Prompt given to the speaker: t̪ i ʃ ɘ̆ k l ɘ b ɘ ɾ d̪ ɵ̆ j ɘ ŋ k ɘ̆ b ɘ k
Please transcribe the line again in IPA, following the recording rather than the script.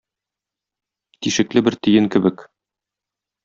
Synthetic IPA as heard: t̪ i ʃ ɘ̆ k l ɘ b ɘ ɾ t̪ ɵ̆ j ɘ ŋ k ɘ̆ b ɘ k